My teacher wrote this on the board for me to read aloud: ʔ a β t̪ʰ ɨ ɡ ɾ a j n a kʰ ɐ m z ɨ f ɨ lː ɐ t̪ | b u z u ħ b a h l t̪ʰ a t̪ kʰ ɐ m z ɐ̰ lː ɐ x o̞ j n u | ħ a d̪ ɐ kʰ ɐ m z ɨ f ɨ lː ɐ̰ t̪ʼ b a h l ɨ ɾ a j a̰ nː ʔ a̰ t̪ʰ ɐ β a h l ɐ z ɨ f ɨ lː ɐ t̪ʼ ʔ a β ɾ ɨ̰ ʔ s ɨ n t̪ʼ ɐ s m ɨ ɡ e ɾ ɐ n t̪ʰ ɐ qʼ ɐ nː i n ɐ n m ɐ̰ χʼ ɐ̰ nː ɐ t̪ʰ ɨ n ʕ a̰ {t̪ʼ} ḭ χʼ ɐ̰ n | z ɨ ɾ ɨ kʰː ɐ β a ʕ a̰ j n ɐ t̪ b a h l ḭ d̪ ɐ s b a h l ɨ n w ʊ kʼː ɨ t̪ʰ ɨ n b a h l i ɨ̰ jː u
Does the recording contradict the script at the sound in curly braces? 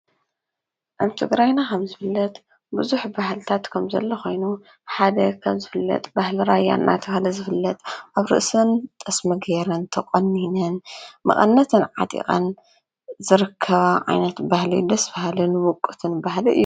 no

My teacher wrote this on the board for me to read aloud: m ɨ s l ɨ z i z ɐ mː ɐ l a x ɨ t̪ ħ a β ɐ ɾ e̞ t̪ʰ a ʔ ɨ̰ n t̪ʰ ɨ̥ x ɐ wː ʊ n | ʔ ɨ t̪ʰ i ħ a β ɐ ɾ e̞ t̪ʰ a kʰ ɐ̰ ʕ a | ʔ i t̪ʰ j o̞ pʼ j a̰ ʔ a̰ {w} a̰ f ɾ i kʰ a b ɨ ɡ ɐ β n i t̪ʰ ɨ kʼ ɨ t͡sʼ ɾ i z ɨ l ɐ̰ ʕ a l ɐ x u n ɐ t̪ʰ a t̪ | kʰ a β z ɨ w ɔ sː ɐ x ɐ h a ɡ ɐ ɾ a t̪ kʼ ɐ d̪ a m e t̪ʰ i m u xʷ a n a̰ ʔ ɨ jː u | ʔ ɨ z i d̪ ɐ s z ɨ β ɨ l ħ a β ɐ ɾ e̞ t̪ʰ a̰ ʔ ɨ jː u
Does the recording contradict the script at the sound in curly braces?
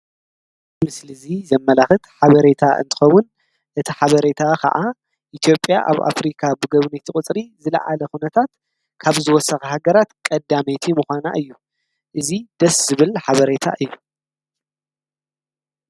yes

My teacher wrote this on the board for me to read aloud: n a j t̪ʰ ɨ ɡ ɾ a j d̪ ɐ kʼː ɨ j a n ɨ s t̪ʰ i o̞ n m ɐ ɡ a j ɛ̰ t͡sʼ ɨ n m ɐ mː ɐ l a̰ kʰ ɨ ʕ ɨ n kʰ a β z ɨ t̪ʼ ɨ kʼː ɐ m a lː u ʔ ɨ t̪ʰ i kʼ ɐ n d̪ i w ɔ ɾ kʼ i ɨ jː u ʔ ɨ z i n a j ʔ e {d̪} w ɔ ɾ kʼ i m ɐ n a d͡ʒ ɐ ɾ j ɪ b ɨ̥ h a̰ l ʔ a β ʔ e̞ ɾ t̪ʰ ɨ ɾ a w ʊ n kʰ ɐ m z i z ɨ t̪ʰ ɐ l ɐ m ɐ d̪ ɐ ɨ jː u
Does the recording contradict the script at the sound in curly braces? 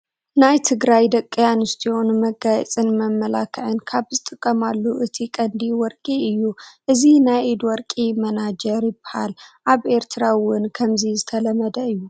no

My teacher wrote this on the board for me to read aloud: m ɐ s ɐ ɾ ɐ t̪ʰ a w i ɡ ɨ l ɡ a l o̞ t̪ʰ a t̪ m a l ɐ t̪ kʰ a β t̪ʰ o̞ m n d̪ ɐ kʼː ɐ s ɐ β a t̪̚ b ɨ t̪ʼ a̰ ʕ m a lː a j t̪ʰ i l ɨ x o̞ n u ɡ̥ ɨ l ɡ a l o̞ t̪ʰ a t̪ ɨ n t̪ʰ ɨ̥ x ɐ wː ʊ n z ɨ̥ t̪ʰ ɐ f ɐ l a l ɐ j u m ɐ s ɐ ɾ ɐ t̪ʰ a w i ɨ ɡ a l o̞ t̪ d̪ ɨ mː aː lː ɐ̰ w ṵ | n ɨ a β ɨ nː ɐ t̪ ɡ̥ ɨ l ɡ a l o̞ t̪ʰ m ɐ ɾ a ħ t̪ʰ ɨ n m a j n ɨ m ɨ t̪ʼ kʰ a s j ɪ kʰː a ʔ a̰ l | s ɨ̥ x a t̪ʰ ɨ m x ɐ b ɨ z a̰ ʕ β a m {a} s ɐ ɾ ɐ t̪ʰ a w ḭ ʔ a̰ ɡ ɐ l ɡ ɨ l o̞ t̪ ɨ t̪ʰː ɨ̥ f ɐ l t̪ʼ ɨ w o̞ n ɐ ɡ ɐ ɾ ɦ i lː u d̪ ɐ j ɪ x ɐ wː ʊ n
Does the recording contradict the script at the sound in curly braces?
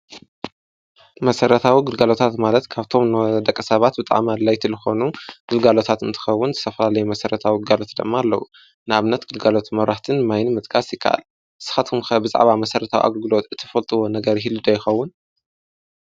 yes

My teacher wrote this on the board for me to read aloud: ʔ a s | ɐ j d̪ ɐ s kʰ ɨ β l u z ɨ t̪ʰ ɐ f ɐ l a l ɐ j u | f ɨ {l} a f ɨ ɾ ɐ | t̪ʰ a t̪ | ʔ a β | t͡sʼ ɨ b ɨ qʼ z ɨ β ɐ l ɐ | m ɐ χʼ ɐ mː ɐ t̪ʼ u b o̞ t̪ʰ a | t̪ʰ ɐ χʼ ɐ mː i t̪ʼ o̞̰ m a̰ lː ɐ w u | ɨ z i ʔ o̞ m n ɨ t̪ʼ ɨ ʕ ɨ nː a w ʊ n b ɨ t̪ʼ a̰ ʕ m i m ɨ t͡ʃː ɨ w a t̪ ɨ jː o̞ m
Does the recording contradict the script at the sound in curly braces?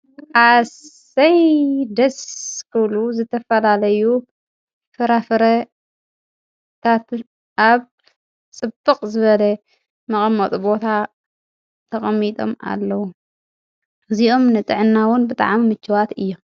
yes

